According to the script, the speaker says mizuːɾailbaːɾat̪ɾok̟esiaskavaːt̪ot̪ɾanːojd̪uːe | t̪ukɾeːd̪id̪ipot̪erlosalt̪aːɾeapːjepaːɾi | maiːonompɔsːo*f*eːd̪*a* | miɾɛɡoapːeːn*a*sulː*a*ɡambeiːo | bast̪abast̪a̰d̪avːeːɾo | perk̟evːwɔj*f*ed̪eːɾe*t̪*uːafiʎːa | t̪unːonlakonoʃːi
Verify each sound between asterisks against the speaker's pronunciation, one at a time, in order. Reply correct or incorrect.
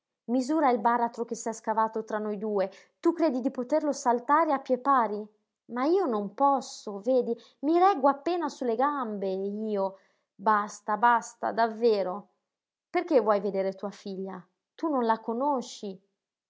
incorrect, incorrect, correct, incorrect, incorrect, correct

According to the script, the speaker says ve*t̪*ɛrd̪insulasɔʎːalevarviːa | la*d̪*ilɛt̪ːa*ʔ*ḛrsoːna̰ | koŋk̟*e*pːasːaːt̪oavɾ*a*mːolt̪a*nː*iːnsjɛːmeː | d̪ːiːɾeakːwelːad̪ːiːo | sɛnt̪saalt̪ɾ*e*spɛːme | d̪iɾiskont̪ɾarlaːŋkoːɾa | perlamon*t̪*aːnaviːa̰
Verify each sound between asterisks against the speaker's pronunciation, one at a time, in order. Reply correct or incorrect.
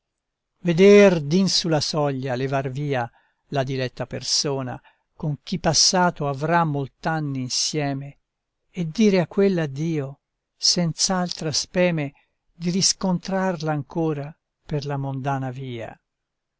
incorrect, correct, incorrect, incorrect, correct, correct, incorrect, incorrect

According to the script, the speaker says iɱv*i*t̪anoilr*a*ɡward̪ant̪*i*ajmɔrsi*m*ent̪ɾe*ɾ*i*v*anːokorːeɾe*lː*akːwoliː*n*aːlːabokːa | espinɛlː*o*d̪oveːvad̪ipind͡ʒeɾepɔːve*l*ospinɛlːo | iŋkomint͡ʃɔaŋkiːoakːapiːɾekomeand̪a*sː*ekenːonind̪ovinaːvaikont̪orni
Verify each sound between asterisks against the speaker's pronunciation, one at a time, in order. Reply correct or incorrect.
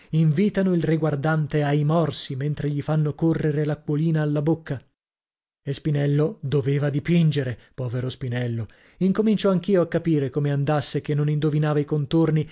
incorrect, incorrect, incorrect, correct, incorrect, incorrect, incorrect, correct, correct, incorrect, correct

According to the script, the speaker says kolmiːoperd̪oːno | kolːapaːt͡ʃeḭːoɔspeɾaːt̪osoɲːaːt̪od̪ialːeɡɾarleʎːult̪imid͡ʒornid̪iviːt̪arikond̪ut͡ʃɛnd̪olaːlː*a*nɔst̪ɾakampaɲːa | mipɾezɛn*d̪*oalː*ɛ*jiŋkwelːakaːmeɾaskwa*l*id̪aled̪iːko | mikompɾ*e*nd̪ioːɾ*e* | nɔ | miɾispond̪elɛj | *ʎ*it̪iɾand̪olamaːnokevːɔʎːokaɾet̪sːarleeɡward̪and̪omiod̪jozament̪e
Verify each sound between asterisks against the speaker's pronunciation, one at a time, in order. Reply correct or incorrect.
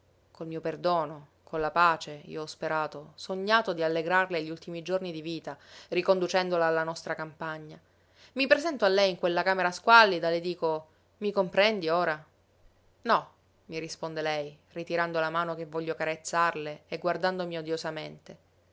correct, incorrect, correct, incorrect, incorrect, incorrect, incorrect

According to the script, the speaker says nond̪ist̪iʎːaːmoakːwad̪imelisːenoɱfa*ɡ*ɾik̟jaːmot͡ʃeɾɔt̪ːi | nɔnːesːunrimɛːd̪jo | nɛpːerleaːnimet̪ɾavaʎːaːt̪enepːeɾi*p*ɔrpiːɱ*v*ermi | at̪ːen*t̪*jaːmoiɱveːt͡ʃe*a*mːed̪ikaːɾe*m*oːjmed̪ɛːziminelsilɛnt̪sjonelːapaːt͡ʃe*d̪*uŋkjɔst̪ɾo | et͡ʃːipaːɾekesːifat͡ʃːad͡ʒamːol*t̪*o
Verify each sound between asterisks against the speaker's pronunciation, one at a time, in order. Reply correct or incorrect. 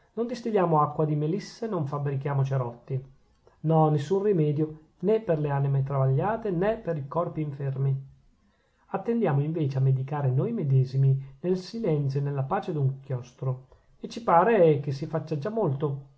incorrect, incorrect, incorrect, incorrect, correct, incorrect, correct, correct

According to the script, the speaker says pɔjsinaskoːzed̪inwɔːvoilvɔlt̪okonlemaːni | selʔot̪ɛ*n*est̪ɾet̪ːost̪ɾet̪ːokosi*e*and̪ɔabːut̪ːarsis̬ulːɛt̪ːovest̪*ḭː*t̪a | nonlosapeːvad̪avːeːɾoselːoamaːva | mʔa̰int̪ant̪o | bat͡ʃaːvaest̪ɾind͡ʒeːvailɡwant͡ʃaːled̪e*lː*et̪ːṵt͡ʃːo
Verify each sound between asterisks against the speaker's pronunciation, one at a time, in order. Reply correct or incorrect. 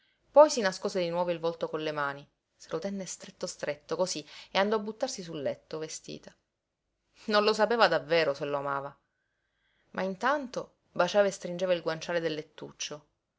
incorrect, correct, correct, correct

